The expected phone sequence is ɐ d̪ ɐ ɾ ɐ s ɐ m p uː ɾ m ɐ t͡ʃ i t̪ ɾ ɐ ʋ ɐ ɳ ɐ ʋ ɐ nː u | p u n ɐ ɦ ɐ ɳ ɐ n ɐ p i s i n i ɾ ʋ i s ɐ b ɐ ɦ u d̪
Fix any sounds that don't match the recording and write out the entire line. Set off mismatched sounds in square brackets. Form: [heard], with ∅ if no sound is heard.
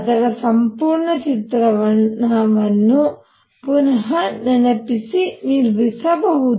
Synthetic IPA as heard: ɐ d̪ ɐ ɾ ɐ s ɐ m p uː ɾ [ɳ] ɐ t͡ʃ i t̪ ɾ ɐ ʋ ɐ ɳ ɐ ʋ ɐ nː u | p u n ɐ ɦ ɐ [n] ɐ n ɐ p i s i n i ɾ ʋ i s ɐ b ɐ ɦ u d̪